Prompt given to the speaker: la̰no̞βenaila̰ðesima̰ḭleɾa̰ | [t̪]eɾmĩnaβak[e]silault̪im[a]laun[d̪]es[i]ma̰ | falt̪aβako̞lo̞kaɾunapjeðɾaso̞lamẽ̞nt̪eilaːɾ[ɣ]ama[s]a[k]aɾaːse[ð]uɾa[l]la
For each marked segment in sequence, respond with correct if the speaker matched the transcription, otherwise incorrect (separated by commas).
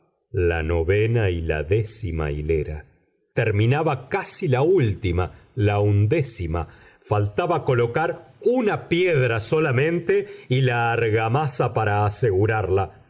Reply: correct, incorrect, correct, correct, correct, correct, correct, incorrect, incorrect, incorrect